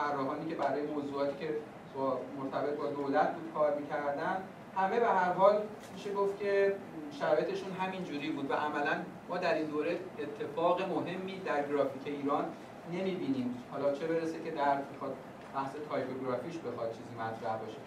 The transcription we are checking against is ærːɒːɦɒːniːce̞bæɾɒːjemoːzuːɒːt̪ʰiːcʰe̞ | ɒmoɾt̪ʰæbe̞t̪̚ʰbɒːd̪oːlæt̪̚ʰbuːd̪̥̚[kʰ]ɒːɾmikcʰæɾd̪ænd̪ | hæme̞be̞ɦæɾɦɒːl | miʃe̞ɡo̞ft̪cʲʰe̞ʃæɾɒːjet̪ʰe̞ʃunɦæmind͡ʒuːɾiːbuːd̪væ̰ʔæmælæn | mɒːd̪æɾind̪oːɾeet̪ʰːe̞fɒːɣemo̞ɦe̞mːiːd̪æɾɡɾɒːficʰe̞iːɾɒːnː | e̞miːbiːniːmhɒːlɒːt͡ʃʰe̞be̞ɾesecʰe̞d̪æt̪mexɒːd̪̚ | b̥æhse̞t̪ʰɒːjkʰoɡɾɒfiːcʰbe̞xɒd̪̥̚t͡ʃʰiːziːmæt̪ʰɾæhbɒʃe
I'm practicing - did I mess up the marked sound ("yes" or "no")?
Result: no